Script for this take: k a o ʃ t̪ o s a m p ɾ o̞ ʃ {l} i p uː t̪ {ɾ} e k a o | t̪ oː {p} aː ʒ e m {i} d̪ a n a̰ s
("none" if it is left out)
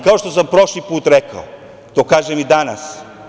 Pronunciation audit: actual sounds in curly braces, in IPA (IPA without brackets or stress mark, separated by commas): l, ɾ, k, i